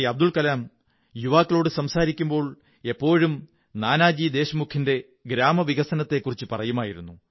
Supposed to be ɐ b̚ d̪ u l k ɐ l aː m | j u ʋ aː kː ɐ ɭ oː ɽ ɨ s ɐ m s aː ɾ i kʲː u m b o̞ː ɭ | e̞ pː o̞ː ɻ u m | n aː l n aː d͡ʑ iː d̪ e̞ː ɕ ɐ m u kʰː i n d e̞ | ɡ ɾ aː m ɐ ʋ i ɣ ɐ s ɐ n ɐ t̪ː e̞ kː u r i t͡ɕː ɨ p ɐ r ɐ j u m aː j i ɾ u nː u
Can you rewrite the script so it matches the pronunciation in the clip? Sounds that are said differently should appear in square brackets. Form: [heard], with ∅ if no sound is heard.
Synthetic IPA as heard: ɐ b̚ d̪ u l k ɐ l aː m | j u ʋ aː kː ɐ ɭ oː ɽ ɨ s ɐ m s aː ɾ i kʲː u m b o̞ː ɭ | e̞ pː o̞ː ɻ u m | n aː [∅] n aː d͡ʑ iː d̪ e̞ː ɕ ɐ m u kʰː i n d e̞ | ɡ ɾ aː m ɐ ʋ i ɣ ɐ s ɐ n ɐ t̪ː e̞ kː u r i t͡ɕː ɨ p ɐ r ɐ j u m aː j i ɾ u nː u